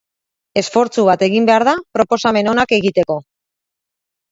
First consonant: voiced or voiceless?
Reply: voiceless